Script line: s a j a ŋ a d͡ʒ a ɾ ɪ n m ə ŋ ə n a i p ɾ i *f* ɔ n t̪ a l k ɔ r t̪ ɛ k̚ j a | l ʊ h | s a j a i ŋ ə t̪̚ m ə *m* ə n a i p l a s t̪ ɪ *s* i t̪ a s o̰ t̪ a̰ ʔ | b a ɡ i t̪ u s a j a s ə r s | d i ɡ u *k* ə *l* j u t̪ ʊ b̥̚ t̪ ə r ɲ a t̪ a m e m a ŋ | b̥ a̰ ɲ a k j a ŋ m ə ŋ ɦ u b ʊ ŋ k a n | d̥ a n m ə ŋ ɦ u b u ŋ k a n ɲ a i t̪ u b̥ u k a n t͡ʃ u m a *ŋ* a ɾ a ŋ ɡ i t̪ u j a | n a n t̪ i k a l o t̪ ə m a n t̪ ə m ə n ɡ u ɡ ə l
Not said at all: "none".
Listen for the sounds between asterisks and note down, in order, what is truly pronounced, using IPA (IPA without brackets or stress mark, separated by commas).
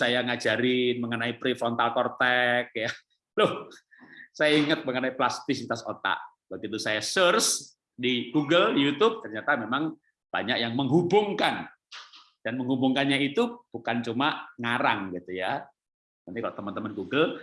f, ŋ, s, ɡ, l, ŋ